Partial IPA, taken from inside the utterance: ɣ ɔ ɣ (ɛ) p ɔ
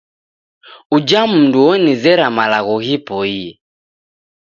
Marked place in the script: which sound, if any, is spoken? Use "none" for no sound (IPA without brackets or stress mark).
i